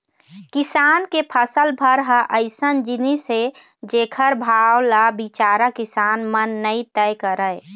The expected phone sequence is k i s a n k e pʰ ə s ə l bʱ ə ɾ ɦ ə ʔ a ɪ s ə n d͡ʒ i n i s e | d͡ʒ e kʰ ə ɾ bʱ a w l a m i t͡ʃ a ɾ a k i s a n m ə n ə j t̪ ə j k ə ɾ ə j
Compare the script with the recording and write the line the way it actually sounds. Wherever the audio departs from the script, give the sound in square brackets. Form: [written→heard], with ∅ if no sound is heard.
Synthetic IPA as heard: k i s a n k e pʰ ə s ə l bʱ ə ɾ ɦ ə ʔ [a→ə] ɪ s ə n d͡ʒ i n i s e | d͡ʒ e kʰ ə ɾ bʱ a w l a [m→b] i t͡ʃ a ɾ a k i s a n m ə [n→nː] ə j t̪ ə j k ə ɾ ə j